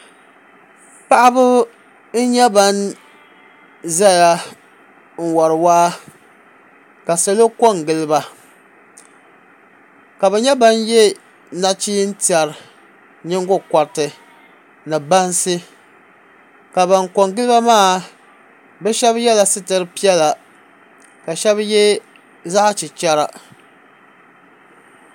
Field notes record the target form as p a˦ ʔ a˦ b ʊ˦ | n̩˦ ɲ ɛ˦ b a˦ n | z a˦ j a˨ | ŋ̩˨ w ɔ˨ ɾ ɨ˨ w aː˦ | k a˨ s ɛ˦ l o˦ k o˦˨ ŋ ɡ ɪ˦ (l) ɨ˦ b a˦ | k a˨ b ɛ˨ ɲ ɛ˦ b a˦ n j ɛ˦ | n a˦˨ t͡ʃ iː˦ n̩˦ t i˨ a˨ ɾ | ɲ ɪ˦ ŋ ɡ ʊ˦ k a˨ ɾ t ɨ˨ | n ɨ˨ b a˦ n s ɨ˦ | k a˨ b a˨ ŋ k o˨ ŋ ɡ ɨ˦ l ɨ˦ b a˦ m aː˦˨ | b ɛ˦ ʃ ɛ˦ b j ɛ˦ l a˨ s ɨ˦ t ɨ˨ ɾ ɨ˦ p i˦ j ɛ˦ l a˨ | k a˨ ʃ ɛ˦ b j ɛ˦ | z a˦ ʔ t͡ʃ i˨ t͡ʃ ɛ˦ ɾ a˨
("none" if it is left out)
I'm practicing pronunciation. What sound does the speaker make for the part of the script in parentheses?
l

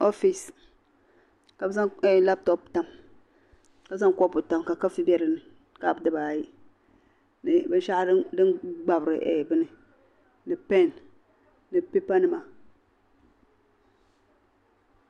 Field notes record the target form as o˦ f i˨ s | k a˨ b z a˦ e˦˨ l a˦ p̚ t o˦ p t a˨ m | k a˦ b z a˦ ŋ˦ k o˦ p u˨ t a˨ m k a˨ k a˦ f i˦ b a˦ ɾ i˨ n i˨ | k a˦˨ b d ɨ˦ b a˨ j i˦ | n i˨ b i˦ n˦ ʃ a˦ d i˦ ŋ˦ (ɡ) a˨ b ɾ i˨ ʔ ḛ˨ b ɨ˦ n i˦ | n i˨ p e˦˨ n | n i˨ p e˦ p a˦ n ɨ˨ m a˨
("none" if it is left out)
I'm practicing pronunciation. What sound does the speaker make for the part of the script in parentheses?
ɡ͡b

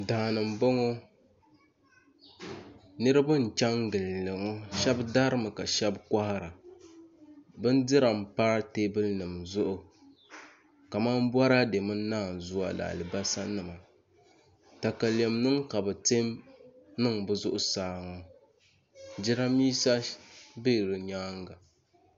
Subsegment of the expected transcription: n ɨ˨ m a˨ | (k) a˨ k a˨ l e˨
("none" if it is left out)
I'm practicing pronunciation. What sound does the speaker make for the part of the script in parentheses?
t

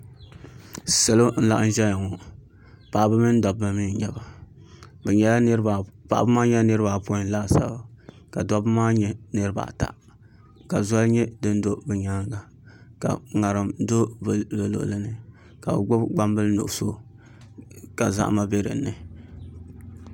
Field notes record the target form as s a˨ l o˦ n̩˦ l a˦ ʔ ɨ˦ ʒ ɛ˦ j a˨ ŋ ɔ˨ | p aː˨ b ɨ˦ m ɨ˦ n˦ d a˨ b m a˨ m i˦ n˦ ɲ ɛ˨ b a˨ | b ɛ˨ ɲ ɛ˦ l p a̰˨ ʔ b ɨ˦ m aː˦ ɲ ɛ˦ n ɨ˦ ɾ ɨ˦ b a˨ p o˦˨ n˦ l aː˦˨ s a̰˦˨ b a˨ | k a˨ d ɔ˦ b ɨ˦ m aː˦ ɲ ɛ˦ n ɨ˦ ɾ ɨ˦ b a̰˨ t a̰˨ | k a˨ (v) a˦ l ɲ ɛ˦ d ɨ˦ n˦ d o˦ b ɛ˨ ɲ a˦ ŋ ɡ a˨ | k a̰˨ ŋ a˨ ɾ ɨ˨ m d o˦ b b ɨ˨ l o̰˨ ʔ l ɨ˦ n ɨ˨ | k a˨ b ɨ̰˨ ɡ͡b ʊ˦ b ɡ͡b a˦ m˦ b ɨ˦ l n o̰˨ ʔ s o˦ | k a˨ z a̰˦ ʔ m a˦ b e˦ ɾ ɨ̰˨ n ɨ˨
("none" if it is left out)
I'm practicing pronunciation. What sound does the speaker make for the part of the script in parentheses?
z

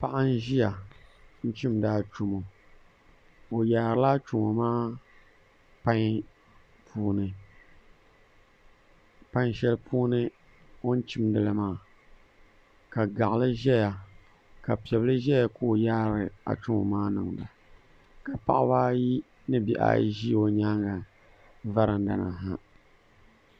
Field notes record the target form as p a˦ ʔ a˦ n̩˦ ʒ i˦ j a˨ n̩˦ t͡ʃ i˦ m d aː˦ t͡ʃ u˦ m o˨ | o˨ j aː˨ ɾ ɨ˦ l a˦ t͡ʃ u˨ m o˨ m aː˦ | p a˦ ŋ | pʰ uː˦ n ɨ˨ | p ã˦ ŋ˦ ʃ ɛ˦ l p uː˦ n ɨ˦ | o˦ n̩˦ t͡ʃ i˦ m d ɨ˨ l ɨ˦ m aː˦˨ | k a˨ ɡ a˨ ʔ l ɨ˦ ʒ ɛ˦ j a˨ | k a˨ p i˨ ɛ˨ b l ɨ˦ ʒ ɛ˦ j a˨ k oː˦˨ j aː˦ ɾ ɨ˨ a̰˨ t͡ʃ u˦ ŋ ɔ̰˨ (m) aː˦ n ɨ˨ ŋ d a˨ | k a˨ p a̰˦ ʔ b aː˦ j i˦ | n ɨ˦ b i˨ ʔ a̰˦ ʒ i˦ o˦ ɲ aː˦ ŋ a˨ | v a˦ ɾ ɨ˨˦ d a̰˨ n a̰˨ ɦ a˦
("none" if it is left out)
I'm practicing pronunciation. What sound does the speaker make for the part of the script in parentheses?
m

